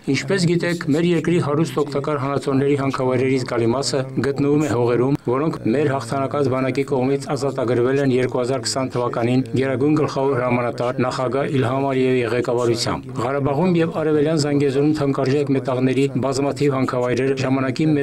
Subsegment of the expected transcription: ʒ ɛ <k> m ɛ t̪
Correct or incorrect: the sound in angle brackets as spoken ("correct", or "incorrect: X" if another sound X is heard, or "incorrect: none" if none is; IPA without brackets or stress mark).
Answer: correct